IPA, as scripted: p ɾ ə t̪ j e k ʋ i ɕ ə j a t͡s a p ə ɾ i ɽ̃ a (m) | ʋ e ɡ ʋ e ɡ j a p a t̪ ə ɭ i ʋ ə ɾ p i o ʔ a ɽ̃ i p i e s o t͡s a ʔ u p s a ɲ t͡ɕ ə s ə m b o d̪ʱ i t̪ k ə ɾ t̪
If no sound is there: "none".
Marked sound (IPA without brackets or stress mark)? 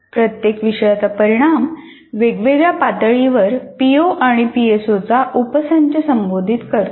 m